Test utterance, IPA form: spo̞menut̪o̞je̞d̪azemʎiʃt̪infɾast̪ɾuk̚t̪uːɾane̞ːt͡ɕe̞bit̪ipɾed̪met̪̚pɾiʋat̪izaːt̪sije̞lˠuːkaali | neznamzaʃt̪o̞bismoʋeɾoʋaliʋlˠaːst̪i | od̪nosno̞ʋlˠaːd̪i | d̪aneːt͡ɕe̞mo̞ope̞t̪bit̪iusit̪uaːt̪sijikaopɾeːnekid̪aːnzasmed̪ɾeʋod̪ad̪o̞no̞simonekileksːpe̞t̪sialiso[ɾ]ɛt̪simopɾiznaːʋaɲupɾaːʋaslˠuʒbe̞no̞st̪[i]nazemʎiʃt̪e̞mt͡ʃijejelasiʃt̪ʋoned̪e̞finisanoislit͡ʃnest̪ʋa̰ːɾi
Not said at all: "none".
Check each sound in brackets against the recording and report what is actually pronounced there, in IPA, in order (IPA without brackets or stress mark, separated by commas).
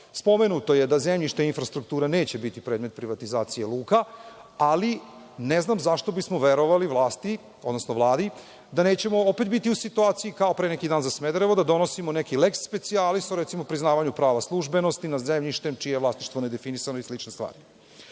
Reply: ɾ, i